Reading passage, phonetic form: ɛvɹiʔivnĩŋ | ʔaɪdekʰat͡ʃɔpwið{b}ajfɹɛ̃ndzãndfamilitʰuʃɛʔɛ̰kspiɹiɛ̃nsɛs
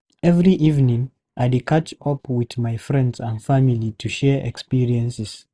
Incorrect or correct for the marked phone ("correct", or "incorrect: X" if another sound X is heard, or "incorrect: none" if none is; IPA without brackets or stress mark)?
incorrect: m